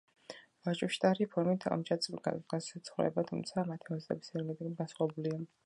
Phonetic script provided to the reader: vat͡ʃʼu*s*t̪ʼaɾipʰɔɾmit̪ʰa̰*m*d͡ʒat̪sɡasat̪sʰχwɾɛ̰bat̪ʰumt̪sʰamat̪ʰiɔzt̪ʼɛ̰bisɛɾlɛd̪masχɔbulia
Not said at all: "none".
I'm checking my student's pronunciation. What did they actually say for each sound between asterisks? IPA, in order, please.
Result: ʃ, m

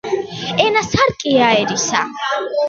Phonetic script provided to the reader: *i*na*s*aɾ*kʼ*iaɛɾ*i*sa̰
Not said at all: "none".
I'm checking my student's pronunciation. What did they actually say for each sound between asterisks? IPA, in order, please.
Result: ɛ, s, kʼ, i

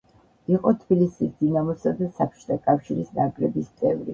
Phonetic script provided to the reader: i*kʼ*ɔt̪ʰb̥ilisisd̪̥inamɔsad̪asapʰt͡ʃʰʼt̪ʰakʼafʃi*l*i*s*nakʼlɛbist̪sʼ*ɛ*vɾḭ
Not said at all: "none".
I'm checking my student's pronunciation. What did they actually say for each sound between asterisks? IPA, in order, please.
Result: qʼ, ɾ, s, ɛ

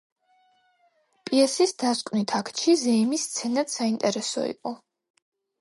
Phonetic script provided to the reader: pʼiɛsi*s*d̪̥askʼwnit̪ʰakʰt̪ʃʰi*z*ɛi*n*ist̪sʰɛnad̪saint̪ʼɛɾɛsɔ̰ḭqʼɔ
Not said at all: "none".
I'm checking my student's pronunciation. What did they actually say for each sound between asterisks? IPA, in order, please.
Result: s, z, m

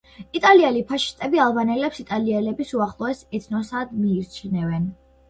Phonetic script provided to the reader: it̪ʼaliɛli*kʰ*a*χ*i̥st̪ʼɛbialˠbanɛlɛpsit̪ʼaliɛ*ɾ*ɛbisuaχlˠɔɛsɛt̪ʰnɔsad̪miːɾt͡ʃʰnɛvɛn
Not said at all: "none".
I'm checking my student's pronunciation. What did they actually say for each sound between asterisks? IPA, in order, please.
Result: pʰ, ʃ, l

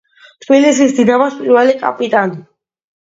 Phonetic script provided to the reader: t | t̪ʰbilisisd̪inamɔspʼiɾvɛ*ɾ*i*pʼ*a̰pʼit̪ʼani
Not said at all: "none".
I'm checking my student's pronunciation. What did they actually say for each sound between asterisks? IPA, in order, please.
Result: l, kʼ

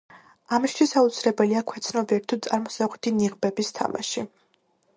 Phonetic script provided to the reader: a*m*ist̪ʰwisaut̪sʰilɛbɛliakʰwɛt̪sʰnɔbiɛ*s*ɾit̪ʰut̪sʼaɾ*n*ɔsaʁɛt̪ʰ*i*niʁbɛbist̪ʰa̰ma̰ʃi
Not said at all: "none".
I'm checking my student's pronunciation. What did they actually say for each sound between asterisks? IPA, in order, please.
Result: m, none, m, i

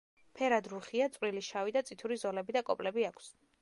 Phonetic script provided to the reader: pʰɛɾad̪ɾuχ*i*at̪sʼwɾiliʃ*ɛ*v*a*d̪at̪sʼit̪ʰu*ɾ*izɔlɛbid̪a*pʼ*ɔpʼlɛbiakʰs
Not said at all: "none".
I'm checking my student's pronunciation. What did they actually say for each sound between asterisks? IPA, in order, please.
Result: i, a, i, ɾ, kʼ

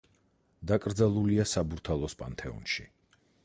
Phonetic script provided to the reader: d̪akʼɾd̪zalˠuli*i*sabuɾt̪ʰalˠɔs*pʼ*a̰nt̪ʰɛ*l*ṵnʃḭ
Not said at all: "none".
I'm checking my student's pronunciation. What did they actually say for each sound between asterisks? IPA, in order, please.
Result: a, pʼ, none

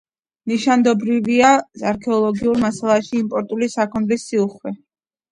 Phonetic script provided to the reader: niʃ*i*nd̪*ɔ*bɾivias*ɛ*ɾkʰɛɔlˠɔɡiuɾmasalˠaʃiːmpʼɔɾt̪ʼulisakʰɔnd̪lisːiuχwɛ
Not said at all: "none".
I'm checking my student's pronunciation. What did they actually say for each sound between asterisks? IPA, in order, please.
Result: a, ɔ, a

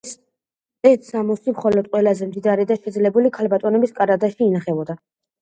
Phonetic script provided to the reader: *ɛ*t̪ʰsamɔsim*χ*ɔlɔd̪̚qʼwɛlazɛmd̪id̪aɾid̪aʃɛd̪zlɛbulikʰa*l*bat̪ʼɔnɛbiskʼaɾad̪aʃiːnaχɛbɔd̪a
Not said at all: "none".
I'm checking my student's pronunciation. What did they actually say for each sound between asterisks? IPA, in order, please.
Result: ɛ, χ, l

